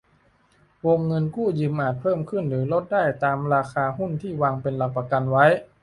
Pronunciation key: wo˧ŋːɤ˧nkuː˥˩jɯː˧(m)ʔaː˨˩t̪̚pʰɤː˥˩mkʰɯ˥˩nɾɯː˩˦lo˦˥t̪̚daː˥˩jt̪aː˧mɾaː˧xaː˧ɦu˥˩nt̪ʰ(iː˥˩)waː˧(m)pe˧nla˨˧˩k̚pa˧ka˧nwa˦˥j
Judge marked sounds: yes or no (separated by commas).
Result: yes, yes, no